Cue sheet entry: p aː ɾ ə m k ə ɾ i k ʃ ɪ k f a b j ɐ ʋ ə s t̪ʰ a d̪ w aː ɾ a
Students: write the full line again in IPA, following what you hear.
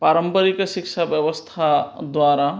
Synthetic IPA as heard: p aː ɾ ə m p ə ɾ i k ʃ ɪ k ʃ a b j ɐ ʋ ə s t̪ʰ a d̪ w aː ɾ a